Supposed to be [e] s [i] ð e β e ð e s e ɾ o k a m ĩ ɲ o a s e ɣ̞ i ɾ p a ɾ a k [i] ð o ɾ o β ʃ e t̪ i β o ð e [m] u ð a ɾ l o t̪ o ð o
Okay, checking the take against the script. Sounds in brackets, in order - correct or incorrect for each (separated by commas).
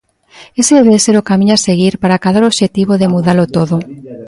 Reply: correct, incorrect, incorrect, correct